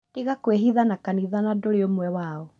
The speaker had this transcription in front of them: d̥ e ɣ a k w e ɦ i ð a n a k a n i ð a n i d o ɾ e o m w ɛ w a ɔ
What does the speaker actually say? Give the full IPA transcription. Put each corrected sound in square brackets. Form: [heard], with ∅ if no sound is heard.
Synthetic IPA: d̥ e ɣ a k w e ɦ i ð a n a k a n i ð a n [a] d o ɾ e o m w ɛ w a ɔ